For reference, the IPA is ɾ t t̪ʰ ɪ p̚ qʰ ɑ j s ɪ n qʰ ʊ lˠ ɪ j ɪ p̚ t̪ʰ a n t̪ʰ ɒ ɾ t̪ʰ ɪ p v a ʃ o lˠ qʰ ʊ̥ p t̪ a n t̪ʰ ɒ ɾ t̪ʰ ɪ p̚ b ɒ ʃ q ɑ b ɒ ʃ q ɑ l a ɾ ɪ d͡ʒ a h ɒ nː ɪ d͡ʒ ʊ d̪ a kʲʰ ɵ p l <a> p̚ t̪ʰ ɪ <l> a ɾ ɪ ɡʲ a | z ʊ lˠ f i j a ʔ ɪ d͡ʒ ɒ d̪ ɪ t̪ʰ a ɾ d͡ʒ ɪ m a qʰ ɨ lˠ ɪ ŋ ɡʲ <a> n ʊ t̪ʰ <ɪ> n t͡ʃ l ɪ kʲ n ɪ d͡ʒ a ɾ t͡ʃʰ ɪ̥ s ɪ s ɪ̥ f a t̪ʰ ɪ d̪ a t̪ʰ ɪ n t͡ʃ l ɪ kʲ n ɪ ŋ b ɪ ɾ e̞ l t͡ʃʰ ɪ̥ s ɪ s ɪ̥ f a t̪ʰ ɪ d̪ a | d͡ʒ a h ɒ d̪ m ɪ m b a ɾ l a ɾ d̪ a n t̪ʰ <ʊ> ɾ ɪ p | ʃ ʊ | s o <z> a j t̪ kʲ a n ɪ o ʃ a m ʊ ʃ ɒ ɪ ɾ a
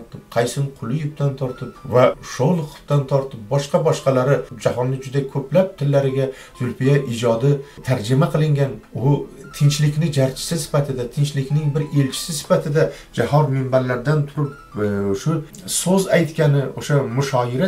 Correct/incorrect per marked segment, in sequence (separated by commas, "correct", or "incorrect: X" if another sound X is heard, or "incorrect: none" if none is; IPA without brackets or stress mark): correct, incorrect: lː, correct, correct, correct, correct